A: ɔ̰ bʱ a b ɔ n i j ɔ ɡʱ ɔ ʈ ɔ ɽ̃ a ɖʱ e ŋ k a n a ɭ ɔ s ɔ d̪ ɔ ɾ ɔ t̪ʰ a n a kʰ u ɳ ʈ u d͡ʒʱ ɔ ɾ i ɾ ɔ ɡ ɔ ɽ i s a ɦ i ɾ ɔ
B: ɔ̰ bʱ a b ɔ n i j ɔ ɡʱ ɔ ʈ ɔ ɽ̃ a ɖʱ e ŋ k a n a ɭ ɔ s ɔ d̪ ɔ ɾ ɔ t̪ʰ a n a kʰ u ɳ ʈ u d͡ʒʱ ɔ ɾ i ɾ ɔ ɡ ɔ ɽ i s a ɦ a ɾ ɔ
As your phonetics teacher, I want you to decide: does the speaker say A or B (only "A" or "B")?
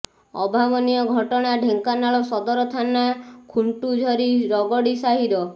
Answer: A